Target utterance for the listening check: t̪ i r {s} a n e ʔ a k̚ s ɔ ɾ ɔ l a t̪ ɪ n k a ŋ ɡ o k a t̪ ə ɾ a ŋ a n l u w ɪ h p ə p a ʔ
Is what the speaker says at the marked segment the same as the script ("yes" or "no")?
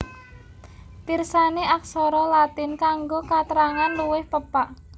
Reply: yes